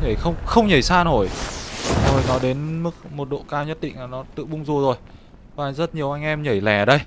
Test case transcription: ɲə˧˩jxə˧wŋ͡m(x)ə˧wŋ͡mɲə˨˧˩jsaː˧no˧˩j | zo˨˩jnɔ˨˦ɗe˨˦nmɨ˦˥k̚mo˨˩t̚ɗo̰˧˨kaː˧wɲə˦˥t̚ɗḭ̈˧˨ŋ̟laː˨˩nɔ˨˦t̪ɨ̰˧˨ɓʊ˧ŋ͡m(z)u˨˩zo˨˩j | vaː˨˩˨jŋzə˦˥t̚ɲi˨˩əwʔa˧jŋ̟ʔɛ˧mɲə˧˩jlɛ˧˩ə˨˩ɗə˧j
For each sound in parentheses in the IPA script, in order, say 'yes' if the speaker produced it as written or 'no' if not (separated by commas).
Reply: yes, yes